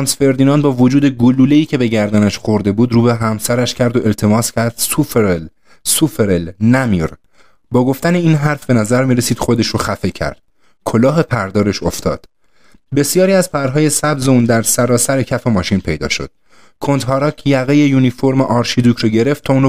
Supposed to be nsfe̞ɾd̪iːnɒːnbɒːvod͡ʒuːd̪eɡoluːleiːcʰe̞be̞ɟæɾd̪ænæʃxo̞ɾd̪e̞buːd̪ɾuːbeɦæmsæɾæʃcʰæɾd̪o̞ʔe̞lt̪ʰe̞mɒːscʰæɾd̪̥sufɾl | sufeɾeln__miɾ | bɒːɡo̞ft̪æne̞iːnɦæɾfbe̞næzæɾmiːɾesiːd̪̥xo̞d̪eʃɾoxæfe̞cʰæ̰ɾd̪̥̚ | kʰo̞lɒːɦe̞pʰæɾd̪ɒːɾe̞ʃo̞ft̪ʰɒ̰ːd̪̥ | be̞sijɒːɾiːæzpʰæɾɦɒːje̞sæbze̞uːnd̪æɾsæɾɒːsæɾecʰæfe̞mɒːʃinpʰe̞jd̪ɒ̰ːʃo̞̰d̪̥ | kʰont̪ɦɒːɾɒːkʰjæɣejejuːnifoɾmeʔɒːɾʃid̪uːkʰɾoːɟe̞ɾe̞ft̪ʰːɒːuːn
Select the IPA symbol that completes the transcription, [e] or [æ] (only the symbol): æ